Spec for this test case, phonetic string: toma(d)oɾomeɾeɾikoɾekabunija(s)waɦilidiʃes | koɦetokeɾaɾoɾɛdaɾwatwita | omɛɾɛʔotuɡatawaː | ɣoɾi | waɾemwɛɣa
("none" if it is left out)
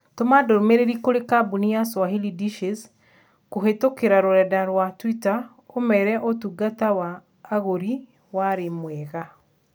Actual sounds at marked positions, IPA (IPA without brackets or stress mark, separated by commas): d, s